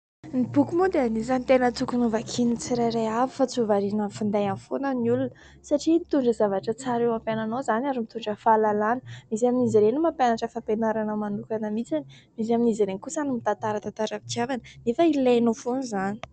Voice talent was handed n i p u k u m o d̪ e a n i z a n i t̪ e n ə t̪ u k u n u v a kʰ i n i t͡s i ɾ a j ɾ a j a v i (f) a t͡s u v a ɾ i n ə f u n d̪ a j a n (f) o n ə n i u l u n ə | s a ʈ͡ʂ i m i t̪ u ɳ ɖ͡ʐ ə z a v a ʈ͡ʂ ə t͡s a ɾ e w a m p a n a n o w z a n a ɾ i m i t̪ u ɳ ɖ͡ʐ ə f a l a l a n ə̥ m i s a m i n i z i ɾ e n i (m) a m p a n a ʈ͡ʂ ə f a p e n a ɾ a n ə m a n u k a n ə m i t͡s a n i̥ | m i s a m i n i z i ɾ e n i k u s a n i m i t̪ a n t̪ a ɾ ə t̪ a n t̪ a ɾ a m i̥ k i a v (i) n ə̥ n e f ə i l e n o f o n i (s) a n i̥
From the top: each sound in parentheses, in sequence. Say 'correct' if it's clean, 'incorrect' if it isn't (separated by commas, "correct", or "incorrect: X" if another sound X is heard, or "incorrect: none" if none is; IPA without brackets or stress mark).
correct, correct, correct, incorrect: a, incorrect: z